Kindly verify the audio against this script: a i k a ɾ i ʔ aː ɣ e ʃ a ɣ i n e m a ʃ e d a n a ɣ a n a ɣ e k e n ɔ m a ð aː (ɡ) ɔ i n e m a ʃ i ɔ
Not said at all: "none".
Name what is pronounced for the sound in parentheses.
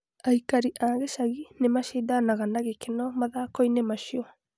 k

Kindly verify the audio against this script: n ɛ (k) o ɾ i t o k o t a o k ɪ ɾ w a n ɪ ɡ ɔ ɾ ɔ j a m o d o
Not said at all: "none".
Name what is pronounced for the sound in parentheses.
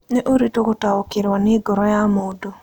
ʔ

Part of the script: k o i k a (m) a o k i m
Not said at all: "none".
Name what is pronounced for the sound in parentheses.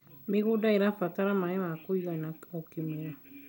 n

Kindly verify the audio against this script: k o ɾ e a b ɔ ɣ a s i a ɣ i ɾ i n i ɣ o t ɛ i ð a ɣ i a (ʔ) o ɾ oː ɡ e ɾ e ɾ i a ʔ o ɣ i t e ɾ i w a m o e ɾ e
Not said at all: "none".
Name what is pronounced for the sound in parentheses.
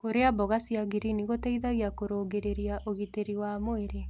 k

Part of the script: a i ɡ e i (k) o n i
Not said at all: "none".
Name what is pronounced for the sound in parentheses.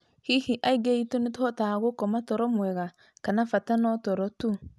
t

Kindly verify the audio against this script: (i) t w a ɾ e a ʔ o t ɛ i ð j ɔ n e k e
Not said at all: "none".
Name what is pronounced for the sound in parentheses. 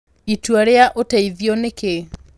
i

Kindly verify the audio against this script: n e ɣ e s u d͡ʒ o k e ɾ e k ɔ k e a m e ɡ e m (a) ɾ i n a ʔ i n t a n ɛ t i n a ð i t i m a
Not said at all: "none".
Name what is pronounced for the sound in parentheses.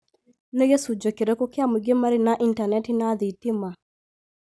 a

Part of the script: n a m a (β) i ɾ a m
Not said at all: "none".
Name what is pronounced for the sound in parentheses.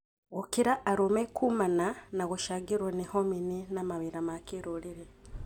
β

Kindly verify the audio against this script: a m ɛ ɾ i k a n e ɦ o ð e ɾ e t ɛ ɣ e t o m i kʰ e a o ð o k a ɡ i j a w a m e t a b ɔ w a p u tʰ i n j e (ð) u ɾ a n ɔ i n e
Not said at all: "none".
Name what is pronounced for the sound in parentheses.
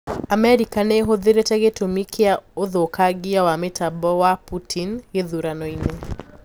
ð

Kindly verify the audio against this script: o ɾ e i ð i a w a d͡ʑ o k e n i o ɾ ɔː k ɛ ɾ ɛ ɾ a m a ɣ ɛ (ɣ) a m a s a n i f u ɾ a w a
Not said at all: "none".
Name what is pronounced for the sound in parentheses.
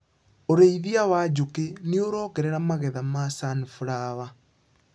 ð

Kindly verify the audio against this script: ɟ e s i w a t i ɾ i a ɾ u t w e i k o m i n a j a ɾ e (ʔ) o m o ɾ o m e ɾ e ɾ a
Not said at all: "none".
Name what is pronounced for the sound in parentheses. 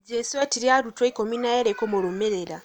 k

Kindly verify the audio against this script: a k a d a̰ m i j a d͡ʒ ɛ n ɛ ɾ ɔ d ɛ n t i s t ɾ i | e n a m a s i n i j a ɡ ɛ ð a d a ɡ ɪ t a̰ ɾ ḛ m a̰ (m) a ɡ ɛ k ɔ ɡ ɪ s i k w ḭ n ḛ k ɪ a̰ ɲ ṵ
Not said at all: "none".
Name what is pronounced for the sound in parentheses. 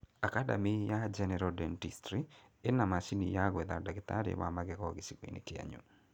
m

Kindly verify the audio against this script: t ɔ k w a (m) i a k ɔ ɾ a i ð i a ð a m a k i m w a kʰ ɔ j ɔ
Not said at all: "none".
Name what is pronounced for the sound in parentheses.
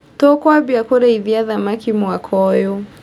b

